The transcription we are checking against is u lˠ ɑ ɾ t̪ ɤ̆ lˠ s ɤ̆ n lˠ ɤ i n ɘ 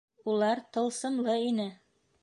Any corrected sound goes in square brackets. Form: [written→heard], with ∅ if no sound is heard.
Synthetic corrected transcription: u lˠ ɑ ɾ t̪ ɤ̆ lˠ s ɤ̆ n lˠ ɤ i n ɘ